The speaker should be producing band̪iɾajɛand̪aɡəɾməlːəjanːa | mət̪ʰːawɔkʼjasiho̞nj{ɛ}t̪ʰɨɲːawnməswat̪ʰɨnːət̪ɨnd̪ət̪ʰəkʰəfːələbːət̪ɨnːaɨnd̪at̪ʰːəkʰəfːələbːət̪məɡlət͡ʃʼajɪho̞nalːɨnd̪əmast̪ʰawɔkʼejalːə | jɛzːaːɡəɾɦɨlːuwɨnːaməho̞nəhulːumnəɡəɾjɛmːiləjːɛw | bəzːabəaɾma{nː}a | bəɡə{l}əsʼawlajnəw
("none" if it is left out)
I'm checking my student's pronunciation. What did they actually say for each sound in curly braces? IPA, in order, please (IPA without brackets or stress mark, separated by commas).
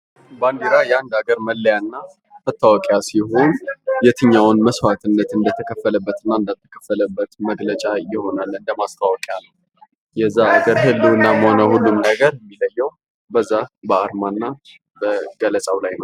ɛ, nː, l